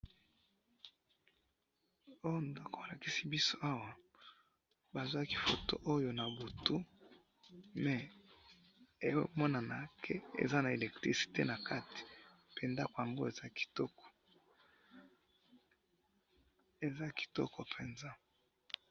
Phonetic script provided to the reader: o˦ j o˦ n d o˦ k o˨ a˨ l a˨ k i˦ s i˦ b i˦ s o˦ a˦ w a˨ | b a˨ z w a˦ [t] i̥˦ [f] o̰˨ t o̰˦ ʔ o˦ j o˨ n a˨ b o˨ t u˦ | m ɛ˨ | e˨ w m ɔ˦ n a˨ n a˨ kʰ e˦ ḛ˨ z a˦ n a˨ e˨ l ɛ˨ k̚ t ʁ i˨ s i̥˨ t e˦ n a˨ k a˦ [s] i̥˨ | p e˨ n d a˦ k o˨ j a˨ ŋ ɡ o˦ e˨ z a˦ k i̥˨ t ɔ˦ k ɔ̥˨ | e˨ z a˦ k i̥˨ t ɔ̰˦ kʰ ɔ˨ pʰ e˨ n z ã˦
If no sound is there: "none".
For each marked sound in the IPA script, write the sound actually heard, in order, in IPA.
k, f, t

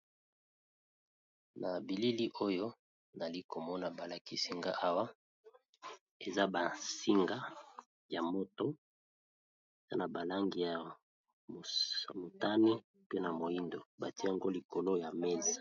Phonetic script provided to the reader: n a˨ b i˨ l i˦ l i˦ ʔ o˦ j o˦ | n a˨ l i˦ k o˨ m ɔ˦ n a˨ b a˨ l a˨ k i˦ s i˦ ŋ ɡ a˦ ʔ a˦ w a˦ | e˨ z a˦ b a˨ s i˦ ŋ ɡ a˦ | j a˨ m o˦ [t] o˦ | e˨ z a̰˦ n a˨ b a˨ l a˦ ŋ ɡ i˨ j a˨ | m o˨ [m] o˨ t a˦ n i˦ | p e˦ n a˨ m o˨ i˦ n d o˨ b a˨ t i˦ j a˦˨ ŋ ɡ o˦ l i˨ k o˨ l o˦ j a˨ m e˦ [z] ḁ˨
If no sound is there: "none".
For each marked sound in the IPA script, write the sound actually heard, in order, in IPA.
t, m, z

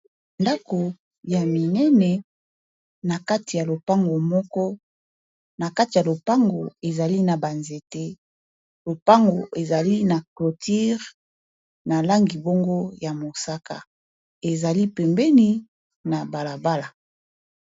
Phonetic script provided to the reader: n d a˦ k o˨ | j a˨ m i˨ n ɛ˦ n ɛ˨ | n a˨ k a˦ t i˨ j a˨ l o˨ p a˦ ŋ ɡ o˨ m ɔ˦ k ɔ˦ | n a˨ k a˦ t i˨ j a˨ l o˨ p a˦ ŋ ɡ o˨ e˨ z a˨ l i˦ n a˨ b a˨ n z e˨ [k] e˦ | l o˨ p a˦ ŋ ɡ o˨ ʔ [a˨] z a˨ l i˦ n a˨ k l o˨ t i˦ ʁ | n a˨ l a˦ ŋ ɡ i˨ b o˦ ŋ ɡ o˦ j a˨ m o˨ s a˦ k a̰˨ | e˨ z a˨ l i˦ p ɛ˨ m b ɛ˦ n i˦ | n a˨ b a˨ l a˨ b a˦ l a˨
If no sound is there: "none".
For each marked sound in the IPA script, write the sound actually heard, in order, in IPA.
t, e˨

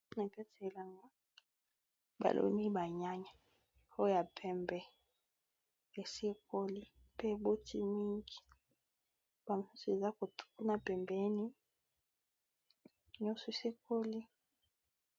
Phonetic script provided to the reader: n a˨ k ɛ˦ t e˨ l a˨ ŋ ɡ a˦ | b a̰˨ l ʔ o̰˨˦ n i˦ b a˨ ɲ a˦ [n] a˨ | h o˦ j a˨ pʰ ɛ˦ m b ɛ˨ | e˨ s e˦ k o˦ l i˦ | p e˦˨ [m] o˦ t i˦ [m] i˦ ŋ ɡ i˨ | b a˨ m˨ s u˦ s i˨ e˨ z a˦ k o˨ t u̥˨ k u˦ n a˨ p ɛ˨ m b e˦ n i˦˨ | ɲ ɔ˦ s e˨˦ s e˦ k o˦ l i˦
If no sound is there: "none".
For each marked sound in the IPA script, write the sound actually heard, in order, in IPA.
ɲ, b, m

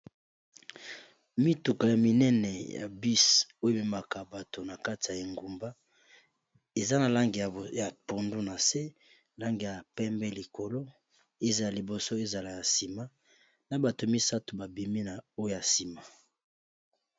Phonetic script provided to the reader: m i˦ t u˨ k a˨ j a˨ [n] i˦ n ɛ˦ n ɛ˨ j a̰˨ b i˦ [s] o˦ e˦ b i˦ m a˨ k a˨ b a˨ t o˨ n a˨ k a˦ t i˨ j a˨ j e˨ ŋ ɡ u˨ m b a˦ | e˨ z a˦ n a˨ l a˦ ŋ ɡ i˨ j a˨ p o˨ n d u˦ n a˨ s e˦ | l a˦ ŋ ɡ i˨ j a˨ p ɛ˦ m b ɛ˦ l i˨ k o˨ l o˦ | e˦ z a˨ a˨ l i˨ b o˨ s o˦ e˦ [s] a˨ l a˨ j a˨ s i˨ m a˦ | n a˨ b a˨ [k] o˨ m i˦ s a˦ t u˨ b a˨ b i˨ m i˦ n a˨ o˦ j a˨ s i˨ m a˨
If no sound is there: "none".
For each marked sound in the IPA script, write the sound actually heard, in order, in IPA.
m, s, z, t

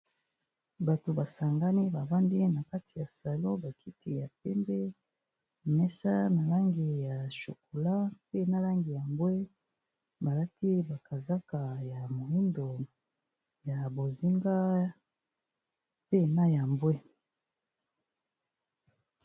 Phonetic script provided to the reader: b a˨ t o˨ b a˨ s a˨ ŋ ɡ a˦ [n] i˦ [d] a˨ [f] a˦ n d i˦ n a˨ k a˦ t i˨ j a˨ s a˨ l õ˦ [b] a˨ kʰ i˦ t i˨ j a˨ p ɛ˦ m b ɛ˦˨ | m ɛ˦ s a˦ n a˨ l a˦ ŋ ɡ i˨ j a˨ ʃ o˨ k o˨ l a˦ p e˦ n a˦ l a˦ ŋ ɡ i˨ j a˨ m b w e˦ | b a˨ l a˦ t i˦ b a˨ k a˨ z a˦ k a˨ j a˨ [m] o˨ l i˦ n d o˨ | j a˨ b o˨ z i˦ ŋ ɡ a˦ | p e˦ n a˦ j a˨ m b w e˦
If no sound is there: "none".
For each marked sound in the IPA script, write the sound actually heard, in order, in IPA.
n, b, v, b, m

